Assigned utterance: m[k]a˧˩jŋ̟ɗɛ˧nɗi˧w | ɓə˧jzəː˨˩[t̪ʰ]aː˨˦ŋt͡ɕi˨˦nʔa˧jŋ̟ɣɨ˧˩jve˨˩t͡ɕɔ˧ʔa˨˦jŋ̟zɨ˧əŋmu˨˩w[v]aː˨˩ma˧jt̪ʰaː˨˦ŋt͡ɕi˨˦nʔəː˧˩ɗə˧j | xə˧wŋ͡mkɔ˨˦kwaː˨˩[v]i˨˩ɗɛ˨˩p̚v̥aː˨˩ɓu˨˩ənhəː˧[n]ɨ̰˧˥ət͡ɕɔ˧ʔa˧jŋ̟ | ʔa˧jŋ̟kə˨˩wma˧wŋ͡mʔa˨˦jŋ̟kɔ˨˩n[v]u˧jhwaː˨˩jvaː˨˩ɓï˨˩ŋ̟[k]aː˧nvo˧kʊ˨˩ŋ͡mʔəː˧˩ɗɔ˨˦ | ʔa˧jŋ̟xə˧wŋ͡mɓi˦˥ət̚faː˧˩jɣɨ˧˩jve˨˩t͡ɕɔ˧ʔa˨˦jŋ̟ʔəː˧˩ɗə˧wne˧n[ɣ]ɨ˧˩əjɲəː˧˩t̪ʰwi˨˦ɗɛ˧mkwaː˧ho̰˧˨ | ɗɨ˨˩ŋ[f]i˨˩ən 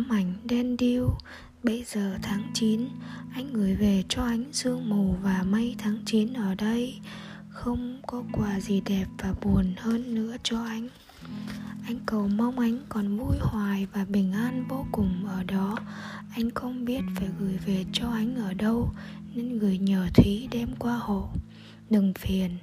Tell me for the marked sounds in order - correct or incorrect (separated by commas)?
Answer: incorrect, correct, correct, incorrect, incorrect, correct, incorrect, correct, correct